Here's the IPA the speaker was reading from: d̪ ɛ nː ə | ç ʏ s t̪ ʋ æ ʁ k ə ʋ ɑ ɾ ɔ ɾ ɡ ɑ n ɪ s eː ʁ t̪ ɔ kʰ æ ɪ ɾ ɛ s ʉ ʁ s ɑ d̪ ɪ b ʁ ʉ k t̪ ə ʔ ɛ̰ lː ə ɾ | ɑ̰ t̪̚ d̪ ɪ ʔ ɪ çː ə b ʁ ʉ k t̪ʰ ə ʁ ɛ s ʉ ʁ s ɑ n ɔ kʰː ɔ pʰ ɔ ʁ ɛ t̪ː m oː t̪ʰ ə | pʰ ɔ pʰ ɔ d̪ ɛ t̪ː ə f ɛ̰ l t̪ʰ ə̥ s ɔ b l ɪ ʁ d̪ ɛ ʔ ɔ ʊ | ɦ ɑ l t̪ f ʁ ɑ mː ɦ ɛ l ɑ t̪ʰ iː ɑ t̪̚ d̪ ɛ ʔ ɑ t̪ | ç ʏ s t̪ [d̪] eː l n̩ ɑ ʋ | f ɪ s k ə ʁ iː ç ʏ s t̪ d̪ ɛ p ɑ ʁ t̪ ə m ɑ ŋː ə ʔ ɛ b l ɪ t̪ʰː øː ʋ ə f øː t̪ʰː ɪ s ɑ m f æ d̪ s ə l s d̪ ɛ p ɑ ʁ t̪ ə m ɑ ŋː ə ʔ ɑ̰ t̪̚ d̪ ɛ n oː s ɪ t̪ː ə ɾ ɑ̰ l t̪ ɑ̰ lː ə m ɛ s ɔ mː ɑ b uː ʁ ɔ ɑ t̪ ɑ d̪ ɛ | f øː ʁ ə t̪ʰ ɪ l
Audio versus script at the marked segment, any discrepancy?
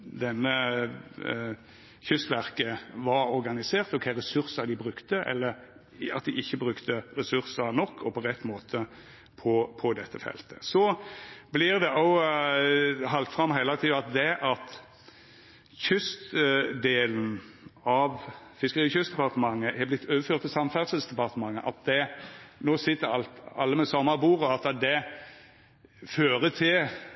no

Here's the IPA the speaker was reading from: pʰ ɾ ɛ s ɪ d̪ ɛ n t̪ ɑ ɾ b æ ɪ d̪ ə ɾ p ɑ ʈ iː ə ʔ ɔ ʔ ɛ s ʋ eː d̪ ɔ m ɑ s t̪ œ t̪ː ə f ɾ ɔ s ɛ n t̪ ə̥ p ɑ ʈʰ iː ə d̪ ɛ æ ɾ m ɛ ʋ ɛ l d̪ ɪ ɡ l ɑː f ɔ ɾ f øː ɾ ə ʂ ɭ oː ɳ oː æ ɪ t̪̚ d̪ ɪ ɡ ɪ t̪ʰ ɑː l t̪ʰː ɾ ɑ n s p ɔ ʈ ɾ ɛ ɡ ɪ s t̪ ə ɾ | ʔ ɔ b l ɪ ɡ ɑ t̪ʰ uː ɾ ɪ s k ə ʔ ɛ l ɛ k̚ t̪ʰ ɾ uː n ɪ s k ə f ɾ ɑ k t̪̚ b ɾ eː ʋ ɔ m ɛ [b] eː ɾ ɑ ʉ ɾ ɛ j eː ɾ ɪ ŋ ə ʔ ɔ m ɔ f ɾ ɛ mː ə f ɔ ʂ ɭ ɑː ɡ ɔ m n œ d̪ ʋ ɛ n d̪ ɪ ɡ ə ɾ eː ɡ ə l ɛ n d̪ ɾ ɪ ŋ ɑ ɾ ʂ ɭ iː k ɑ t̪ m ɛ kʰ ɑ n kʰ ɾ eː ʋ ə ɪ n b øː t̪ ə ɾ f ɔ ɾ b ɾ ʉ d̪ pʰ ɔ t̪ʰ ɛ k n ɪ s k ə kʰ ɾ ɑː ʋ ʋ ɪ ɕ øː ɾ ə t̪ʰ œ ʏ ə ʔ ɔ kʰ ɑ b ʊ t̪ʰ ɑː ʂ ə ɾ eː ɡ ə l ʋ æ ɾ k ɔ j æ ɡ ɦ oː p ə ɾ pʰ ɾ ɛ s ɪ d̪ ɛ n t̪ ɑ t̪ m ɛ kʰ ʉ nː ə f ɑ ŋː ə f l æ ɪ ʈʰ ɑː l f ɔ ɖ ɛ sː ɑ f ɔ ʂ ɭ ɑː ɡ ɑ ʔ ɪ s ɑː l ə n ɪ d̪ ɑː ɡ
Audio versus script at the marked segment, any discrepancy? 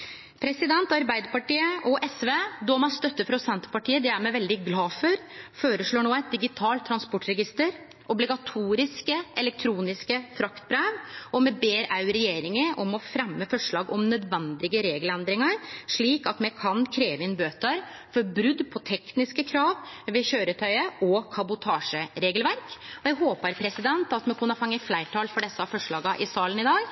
no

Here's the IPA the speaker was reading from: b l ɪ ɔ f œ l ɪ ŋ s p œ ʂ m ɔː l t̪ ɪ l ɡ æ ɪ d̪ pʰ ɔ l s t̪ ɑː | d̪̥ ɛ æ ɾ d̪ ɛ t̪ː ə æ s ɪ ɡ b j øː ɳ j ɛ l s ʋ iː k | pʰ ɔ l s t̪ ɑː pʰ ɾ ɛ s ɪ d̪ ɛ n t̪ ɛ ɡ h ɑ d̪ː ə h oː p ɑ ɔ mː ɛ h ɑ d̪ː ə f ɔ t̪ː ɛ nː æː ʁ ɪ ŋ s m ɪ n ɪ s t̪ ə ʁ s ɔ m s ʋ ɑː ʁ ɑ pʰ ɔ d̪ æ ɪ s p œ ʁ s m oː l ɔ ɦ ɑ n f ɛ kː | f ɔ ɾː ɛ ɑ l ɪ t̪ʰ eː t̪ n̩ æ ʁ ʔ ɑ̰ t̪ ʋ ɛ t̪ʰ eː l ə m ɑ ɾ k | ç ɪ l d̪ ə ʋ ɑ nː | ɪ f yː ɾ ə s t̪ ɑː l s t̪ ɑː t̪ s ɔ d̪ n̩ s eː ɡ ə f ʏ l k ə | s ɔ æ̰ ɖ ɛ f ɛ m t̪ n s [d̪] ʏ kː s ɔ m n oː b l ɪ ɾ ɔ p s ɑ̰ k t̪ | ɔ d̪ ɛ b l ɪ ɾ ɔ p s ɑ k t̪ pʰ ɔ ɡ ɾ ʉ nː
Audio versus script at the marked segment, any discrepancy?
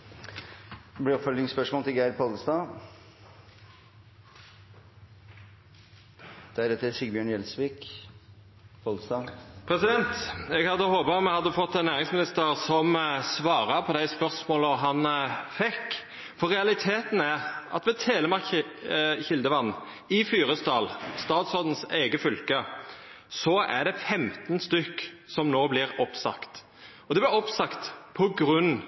yes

